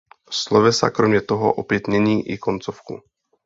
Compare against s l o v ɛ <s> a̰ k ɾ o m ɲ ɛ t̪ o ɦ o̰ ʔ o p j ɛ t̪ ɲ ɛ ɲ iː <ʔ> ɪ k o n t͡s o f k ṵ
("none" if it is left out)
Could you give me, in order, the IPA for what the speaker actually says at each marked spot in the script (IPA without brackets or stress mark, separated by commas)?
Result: s, ʔ